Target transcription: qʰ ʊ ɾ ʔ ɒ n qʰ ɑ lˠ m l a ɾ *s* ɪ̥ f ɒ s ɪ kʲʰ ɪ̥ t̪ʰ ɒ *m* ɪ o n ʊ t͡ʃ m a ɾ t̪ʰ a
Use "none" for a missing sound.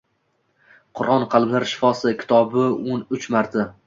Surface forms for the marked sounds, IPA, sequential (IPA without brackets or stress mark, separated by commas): ʃ, b